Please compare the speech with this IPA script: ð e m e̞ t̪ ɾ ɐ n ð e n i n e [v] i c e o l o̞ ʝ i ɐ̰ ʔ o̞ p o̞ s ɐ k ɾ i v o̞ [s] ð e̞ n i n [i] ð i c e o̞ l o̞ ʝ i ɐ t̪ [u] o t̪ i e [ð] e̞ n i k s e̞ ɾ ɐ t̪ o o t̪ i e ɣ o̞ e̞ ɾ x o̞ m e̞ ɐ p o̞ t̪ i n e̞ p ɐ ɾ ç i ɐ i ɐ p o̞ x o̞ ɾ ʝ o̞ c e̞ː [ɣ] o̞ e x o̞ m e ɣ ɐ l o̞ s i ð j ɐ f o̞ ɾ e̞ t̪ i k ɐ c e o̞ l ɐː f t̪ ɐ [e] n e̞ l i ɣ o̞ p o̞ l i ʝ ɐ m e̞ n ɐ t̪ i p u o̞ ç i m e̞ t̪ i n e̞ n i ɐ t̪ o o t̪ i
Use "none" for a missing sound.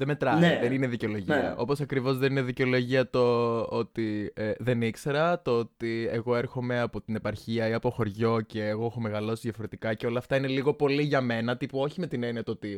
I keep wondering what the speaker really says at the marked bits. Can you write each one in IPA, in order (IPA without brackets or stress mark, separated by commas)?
ð, z, e, o, ð, ɣ, i